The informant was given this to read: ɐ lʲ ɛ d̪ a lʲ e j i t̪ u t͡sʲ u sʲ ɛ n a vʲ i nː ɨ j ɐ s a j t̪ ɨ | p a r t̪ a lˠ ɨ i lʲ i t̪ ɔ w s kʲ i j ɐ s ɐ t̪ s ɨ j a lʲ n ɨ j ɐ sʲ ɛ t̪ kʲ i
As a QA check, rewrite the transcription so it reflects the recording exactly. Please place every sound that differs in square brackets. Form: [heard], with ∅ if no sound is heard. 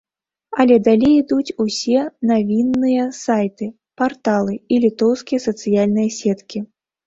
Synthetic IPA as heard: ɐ lʲ ɛ d̪ a lʲ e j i [d̪] u t͡sʲ u sʲ ɛ n a vʲ i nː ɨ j ɐ s a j t̪ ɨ | p a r t̪ a lˠ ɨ i lʲ i t̪ ɔ w s kʲ i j ɐ s ɐ t̪ s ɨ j a lʲ n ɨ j ɐ sʲ ɛ t̪ kʲ i